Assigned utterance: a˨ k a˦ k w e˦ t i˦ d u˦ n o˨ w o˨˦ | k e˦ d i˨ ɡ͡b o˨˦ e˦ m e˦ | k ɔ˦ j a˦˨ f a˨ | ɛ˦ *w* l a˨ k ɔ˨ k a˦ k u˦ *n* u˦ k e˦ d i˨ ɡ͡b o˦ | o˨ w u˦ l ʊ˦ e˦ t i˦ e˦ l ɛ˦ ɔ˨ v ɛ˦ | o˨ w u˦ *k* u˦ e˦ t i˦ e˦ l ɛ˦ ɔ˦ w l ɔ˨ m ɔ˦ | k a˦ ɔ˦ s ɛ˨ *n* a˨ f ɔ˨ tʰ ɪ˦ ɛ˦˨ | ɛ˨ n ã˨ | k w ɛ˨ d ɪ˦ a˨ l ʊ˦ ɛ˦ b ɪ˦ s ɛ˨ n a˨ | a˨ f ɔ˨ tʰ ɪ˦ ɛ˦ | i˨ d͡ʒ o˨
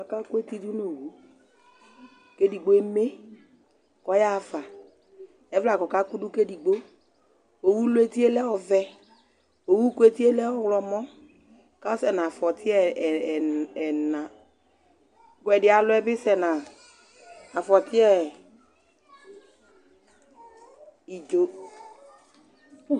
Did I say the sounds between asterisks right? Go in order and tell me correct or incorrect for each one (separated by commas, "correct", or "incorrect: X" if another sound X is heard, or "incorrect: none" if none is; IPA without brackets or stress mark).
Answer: incorrect: v, incorrect: d, correct, correct